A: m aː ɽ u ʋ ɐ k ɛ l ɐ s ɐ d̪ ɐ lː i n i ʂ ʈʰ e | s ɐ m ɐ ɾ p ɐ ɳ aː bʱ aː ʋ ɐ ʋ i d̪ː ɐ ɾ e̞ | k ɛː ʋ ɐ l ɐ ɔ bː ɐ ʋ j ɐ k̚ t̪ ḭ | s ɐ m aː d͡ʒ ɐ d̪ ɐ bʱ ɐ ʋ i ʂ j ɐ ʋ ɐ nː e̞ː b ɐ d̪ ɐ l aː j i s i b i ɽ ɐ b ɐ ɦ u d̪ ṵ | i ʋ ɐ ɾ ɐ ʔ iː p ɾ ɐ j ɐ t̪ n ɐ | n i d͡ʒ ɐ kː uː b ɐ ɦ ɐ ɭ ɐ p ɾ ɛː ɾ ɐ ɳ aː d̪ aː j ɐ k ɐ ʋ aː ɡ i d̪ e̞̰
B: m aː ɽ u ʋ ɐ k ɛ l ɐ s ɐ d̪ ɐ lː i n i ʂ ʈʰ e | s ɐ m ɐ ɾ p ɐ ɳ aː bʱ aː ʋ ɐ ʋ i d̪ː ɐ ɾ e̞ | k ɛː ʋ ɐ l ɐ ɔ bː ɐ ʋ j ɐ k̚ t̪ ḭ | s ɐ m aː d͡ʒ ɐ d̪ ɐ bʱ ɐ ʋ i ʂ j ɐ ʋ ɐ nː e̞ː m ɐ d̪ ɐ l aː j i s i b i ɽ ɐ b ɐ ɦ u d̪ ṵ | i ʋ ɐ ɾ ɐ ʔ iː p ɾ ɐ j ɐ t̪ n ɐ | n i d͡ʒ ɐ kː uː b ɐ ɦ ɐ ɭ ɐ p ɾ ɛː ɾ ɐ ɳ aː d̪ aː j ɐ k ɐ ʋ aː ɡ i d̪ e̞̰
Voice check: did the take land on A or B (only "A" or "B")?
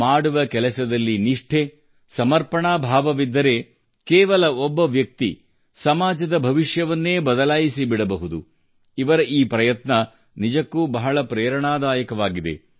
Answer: A